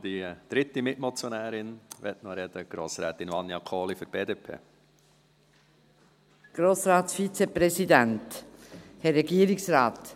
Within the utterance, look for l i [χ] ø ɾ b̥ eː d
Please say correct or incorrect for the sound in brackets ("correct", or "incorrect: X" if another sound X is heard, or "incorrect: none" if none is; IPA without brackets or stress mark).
incorrect: f